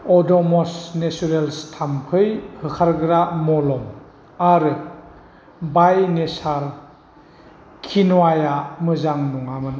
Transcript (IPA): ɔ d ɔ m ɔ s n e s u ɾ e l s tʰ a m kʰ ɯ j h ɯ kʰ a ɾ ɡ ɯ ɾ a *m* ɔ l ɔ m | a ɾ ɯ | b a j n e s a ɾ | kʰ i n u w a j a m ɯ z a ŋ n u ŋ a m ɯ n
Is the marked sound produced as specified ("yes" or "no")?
yes